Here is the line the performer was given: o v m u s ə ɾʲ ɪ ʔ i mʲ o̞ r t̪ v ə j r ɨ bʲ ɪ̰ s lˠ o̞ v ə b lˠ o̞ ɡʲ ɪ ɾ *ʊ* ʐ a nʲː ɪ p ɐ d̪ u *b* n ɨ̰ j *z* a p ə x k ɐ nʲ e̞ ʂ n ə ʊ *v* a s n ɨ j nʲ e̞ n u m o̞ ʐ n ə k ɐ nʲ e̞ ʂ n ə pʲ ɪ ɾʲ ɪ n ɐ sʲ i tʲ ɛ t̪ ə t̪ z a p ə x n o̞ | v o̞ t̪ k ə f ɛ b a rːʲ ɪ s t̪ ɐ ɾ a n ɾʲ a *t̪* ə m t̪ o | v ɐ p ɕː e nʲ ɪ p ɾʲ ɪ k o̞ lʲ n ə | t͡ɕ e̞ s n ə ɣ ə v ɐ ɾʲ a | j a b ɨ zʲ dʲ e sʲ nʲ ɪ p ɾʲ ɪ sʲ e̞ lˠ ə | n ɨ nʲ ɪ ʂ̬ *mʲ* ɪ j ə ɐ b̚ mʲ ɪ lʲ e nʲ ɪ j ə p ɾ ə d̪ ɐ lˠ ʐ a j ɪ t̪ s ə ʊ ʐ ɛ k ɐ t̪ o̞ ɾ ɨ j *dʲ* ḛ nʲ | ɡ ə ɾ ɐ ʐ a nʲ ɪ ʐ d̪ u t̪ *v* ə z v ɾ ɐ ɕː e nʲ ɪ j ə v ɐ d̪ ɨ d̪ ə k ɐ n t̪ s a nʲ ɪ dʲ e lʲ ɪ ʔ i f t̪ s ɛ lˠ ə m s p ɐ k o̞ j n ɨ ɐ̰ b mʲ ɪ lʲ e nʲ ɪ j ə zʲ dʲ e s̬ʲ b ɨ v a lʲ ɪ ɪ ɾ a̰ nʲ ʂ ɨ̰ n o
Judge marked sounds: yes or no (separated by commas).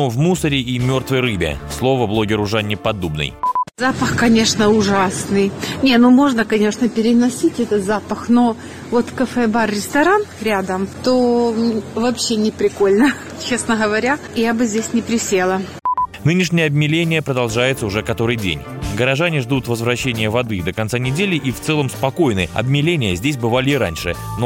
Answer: yes, yes, yes, no, no, no, yes, yes